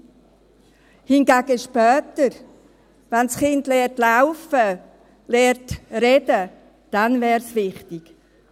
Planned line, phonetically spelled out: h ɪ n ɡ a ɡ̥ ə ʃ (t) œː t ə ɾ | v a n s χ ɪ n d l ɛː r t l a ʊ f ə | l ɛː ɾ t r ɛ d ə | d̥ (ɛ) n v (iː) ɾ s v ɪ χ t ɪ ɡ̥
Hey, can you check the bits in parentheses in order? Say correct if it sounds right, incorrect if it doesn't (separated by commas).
incorrect, incorrect, incorrect